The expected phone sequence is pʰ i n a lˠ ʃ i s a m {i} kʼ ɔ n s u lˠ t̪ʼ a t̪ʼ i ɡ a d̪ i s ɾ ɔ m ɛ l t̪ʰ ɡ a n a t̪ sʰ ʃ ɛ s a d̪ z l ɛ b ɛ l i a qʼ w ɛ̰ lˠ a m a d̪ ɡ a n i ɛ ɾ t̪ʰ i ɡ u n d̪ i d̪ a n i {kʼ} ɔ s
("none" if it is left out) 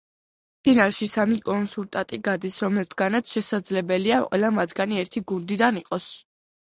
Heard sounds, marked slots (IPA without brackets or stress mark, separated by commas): i, qʼ